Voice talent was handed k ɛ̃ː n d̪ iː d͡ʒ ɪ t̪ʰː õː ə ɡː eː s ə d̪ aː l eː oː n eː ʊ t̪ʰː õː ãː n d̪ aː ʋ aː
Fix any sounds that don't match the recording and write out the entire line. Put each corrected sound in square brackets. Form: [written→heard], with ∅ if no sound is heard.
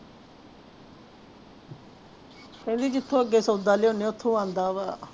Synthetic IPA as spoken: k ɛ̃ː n d̪ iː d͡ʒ ɪ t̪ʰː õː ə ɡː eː s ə d̪ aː l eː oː n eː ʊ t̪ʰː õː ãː n d̪ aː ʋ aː